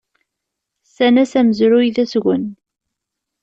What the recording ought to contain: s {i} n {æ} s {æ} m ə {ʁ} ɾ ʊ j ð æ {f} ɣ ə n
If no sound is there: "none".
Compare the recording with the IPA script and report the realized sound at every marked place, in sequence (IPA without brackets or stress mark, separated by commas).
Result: æ, æ, æ, z, s